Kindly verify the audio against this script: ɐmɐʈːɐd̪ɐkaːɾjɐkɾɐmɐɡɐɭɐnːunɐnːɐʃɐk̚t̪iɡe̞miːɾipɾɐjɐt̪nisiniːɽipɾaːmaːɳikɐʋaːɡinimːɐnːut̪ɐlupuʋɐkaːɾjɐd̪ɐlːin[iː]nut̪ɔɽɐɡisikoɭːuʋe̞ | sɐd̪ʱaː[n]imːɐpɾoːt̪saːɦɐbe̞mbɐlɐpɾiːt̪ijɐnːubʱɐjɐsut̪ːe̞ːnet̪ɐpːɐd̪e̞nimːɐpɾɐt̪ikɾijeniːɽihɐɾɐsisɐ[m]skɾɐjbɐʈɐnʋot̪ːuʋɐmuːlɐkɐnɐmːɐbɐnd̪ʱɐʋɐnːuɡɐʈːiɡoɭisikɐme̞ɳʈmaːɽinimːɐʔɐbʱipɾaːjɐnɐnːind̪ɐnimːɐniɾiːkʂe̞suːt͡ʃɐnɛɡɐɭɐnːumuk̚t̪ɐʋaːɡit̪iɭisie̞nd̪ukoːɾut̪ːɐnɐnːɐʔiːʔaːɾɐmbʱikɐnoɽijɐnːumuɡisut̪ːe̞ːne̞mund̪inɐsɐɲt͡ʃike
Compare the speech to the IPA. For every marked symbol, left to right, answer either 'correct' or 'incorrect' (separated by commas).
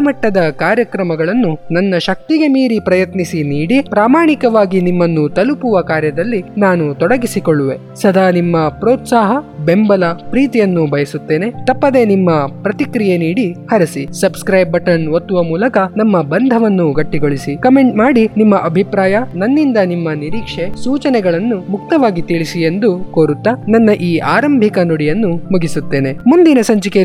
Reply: incorrect, correct, incorrect